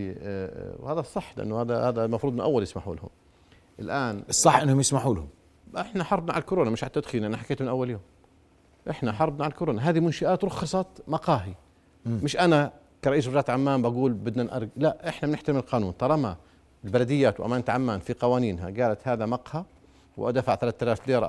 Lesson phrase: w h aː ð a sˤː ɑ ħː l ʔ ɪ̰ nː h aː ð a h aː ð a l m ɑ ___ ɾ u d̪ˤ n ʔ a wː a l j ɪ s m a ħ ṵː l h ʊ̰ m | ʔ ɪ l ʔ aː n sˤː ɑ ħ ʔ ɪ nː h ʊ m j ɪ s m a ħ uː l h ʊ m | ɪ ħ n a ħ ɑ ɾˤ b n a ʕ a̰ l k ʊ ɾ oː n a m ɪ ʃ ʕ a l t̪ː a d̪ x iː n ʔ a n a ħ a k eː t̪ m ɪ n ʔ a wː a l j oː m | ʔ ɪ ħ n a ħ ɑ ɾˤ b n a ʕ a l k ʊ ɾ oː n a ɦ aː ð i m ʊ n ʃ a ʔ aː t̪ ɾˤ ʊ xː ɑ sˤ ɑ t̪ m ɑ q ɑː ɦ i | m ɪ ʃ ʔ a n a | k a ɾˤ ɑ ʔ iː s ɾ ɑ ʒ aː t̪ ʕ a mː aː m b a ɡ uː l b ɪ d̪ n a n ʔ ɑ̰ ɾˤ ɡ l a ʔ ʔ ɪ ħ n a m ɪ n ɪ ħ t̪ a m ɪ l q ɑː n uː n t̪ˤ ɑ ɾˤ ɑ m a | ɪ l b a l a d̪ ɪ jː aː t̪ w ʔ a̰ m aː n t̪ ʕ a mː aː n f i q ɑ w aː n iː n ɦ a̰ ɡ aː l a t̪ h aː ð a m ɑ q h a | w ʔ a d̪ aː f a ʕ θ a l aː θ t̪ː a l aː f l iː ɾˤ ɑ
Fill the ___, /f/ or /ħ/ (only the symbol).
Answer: f